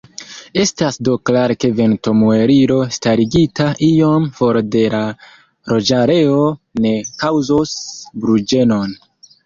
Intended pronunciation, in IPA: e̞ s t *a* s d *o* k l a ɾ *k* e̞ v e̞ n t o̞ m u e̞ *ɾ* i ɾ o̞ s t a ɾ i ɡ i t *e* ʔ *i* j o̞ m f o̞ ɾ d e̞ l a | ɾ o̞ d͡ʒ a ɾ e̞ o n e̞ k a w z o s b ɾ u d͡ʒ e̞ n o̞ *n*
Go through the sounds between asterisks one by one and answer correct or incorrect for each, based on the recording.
correct, correct, correct, correct, incorrect, correct, correct

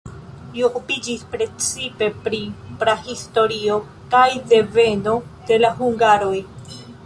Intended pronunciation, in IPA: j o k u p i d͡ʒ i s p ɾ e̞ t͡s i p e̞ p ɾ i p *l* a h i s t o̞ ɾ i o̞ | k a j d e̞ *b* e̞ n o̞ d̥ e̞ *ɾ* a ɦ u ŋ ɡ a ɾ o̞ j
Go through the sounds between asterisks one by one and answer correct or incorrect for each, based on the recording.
incorrect, incorrect, incorrect

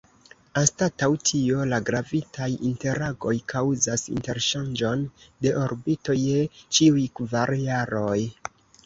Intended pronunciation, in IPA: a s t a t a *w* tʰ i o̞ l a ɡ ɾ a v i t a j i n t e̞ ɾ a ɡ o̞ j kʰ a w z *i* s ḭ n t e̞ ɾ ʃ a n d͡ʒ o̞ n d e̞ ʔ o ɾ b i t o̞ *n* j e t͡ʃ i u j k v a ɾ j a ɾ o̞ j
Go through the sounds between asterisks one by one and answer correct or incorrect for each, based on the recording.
correct, incorrect, incorrect

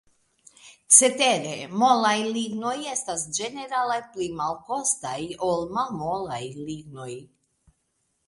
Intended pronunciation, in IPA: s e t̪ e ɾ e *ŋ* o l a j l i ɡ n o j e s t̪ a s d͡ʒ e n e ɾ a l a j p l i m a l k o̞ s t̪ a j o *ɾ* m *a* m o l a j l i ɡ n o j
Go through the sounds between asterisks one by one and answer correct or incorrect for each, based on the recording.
incorrect, incorrect, correct

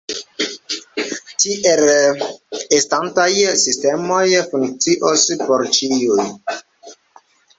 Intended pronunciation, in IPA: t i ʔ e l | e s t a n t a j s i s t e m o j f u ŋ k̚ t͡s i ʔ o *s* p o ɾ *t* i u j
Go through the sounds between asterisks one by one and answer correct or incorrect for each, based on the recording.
correct, incorrect

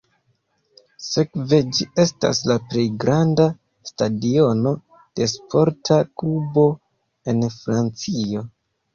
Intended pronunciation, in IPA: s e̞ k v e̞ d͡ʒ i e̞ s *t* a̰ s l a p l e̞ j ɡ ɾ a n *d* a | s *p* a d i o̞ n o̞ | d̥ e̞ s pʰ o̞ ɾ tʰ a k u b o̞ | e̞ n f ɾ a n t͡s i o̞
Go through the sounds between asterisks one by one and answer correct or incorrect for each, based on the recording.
correct, correct, incorrect

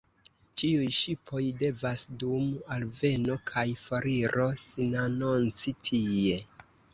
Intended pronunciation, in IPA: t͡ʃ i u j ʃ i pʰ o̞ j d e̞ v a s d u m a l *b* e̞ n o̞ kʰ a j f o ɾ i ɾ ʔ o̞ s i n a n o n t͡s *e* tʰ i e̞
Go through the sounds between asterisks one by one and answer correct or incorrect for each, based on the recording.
incorrect, incorrect

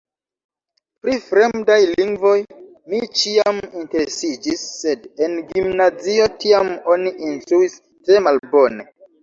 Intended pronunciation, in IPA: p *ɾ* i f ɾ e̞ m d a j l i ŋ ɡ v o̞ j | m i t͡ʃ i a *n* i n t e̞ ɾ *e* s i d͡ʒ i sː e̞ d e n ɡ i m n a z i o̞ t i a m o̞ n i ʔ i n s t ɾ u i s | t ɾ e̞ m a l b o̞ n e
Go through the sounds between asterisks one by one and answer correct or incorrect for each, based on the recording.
correct, incorrect, correct

